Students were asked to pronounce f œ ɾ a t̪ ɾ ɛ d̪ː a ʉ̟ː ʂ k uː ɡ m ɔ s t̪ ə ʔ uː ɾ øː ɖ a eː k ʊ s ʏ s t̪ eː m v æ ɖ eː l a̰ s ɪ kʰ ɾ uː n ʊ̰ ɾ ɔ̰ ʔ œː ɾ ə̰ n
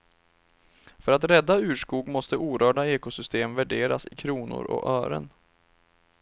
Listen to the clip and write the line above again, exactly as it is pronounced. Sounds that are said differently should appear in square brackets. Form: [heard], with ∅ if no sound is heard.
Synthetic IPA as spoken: f œ ɾ a t̪ ɾ ɛ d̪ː a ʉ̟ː ʂ k uː ɡ m ɔ s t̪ ə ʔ uː ɾ [œː] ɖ a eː k ʊ s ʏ s t̪ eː m v æ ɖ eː [ɾ] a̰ s ɪ kʰ ɾ uː n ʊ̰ ɾ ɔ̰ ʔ œː ɾ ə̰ n